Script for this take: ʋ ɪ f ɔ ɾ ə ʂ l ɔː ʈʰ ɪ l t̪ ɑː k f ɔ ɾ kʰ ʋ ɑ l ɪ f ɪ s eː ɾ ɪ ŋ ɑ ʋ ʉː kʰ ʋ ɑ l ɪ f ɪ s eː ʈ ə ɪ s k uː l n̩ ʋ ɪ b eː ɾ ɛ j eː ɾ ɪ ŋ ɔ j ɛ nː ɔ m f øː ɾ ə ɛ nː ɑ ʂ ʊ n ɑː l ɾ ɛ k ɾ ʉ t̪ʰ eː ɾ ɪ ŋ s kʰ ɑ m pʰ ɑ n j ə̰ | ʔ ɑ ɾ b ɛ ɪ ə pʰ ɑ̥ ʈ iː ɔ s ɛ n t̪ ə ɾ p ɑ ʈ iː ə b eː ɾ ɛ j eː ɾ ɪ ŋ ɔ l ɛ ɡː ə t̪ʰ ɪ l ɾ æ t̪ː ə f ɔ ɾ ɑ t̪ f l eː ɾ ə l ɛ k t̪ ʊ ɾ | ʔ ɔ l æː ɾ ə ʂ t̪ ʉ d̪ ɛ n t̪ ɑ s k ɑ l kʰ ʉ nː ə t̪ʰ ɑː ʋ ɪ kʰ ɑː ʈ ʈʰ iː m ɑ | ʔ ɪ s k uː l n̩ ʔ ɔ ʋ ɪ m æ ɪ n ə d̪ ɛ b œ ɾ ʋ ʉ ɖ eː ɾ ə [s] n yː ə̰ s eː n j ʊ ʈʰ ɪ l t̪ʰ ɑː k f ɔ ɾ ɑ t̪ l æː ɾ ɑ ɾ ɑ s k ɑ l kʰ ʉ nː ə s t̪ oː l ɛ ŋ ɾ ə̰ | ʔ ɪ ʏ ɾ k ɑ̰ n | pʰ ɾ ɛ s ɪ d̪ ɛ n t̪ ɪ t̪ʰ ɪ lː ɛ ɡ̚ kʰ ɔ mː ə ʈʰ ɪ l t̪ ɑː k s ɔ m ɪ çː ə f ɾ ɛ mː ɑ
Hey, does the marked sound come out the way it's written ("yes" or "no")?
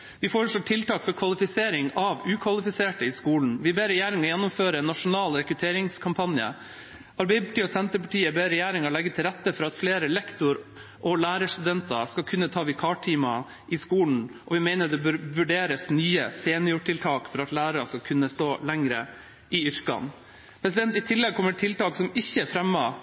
yes